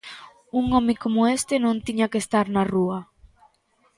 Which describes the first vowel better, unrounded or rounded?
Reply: rounded